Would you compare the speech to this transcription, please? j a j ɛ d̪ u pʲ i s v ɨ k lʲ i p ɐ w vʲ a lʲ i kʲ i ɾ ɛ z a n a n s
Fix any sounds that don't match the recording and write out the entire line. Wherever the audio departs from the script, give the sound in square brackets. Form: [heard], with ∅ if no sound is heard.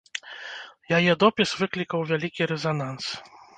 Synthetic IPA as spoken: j a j ɛ d̪ [ɔ] pʲ i s v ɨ k lʲ i [k] ɐ w vʲ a lʲ i kʲ i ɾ ɛ z a n a n s